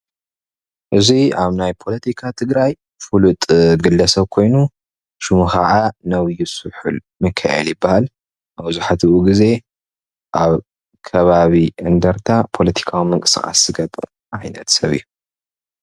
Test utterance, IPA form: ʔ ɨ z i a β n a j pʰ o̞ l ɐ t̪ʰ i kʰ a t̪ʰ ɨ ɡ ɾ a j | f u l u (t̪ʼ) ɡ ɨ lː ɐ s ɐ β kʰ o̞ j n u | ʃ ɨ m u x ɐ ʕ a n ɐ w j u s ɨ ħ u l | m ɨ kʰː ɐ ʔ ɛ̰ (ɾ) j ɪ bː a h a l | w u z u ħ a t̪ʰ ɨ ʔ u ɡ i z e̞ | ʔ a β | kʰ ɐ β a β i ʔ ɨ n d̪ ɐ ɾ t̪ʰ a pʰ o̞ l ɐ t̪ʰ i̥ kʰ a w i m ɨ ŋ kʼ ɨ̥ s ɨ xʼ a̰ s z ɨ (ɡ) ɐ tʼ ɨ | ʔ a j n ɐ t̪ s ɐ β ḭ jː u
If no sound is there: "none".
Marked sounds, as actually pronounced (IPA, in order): t̪ʼ, l, ɡ

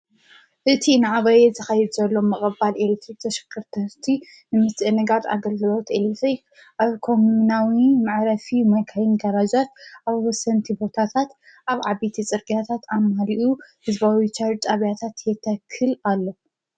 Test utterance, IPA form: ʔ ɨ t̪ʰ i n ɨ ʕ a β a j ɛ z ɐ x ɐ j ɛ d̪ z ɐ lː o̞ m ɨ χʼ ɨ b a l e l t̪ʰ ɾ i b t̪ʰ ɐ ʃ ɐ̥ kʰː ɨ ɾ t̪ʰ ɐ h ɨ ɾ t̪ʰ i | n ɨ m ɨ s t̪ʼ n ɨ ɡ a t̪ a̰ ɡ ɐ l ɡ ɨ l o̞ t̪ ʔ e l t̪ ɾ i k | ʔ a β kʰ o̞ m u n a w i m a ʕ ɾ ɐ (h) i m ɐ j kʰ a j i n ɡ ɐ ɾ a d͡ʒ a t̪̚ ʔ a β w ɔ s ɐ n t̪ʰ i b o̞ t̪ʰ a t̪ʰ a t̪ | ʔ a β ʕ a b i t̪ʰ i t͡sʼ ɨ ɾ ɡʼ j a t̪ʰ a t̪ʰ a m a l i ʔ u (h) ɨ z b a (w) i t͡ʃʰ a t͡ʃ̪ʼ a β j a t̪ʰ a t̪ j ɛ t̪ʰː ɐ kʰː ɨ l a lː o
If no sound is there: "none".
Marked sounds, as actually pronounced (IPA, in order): f, h, w

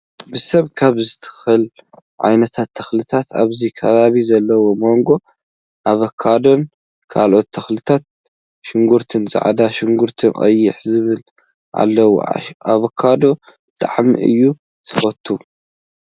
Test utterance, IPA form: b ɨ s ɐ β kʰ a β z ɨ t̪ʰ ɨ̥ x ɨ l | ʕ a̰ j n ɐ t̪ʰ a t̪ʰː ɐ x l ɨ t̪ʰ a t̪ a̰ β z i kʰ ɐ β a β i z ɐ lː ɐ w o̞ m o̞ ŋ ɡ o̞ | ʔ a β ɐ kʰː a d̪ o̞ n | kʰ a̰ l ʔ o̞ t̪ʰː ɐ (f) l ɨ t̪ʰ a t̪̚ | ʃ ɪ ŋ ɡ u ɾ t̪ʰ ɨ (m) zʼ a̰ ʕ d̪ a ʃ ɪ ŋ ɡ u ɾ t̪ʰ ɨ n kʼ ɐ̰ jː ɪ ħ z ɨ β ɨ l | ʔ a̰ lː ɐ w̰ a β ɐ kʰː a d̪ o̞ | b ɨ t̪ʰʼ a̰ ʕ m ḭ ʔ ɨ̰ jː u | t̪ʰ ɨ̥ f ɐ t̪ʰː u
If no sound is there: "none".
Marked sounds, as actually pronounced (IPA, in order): x, n

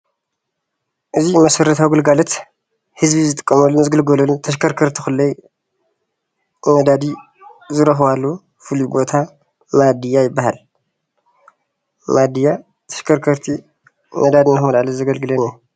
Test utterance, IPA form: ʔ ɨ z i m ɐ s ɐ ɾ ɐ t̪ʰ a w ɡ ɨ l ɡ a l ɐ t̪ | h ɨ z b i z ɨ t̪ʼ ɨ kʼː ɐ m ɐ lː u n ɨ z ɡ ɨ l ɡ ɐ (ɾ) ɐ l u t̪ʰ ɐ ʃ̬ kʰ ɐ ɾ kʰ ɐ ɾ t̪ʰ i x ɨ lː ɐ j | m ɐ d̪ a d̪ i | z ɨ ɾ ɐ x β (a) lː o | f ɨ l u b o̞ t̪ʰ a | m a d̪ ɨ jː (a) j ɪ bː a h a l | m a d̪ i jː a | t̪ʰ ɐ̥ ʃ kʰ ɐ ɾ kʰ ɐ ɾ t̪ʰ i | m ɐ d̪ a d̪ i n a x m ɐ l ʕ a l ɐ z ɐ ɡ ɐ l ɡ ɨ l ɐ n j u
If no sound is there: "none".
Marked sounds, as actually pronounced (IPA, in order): l, a, a

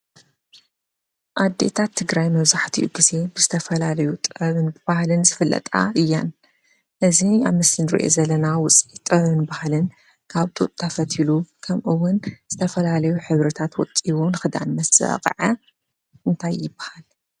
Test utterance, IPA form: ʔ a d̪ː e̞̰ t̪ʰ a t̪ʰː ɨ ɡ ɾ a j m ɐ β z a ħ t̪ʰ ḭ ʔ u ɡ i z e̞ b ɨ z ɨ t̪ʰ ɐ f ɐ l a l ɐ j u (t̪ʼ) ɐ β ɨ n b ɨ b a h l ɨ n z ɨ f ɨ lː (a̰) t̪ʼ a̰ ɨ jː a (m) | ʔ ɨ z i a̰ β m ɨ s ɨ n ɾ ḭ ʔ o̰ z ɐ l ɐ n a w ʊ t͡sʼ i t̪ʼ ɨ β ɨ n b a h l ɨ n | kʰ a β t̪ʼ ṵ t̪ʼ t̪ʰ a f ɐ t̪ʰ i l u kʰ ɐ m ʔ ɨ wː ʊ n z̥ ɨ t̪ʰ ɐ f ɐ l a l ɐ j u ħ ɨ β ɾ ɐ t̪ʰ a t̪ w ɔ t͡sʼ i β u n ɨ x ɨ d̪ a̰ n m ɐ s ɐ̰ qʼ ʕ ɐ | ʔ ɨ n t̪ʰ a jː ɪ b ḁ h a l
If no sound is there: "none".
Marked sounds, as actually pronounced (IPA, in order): t̪ʼ, ɐ̰, n

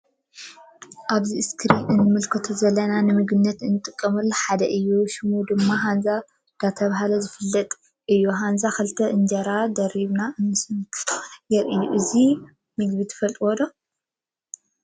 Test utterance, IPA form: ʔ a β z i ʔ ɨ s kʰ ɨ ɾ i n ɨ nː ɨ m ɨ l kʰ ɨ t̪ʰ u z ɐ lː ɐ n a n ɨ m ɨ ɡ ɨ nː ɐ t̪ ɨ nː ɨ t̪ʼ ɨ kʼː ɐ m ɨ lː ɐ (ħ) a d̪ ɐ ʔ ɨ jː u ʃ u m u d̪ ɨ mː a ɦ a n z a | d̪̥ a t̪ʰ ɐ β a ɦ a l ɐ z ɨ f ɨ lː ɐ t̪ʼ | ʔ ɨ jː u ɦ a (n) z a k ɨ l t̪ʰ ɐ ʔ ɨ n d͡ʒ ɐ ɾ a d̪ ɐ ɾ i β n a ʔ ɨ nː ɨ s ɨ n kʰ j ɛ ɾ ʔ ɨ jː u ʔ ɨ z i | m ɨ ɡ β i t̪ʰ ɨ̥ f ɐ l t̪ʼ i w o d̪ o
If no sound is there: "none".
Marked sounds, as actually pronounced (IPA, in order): ħ, n

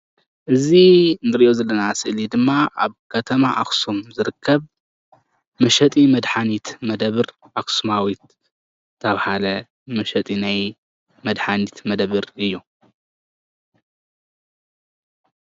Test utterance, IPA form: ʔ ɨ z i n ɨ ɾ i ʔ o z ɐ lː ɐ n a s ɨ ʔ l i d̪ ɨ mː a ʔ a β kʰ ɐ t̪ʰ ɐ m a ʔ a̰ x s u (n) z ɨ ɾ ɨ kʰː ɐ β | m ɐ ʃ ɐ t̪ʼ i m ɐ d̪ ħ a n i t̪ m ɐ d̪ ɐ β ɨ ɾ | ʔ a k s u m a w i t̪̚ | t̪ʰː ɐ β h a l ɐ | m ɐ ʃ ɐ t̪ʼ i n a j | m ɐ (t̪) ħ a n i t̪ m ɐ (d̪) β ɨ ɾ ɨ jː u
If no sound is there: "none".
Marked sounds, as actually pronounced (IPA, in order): m, d̪, d̪

